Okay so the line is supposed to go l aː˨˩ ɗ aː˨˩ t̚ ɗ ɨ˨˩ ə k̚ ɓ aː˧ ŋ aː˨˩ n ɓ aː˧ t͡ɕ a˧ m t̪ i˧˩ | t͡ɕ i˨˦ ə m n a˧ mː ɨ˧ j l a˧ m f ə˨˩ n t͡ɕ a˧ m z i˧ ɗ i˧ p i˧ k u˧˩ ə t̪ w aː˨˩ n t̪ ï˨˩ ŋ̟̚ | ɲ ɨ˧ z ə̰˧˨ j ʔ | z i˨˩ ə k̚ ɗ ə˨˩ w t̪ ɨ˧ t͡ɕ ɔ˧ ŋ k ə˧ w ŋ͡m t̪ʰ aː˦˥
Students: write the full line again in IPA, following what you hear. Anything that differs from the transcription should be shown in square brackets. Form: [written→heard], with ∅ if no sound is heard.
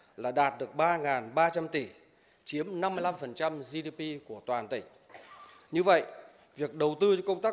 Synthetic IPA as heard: l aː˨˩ ɗ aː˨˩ t̚ ɗ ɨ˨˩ ə k̚ ɓ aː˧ ŋ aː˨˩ n ɓ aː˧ t͡ɕ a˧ m t̪ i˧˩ | t͡ɕ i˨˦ ə m n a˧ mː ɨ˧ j l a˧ m f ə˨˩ n t͡ɕ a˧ m z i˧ ɗ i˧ p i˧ k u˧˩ ə t̪ w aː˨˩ n t̪ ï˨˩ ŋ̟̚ | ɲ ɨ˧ [z→v] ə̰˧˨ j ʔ | [z→v] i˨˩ ə k̚ ɗ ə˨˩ w t̪ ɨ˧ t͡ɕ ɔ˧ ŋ k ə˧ w ŋ͡m [t̪ʰ→t̪] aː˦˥